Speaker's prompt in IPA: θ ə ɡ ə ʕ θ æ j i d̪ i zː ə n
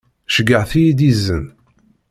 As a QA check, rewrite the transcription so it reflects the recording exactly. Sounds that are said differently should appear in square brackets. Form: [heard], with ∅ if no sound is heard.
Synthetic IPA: [ʃ] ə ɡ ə ʕ θ [i] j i d̪ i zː ə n

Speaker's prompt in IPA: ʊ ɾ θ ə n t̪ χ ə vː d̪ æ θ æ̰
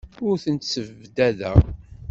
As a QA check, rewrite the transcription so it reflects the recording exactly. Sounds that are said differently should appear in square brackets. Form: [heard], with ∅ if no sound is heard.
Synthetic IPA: ʊ ɾ θ ə n t̪ [s] ə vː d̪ æ [ð] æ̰

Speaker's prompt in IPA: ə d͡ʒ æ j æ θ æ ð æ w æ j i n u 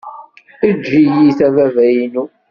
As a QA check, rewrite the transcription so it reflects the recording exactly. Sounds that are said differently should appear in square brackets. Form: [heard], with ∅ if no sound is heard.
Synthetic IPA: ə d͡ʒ [i] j [i] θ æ [v] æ [v] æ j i n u

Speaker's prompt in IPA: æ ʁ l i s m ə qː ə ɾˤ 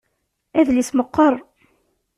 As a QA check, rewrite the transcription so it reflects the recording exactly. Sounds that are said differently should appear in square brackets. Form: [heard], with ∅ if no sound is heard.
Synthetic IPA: æ [ð] l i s m ə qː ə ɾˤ

